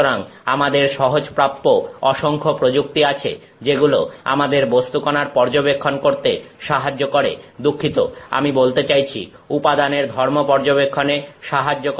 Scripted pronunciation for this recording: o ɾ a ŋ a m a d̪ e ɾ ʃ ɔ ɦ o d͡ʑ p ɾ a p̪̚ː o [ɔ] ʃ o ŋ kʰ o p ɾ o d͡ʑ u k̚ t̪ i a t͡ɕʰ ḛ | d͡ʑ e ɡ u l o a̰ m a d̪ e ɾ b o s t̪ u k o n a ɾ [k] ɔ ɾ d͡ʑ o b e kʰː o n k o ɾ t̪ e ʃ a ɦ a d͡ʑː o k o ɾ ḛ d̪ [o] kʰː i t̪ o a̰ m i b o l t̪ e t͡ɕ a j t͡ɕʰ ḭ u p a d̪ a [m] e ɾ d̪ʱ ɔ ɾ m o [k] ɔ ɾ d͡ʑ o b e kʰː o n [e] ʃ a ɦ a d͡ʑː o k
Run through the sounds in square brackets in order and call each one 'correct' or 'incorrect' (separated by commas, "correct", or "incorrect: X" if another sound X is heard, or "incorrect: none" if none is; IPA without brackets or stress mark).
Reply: correct, incorrect: p, incorrect: u, incorrect: n, incorrect: p, correct